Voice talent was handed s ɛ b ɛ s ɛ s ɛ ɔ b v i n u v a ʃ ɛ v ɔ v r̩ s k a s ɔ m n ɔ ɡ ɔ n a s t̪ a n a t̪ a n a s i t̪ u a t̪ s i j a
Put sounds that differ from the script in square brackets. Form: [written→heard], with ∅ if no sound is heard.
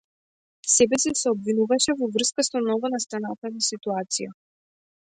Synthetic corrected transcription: s ɛ b ɛ s ɛ s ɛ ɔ b v i n u v a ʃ ɛ v ɔ v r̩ s k a s ɔ m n ɔ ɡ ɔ n a s t̪ a n a t̪ a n a s i t̪ u a t̪ s i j a